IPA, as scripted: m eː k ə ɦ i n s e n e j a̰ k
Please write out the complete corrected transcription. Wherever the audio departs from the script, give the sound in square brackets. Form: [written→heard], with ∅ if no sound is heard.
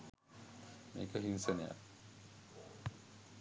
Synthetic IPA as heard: m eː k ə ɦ i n s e n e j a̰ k